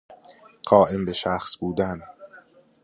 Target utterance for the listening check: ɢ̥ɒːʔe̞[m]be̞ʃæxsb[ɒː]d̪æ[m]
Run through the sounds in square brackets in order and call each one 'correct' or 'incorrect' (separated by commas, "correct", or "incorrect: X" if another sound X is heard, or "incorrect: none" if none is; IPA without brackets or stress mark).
correct, incorrect: uː, incorrect: n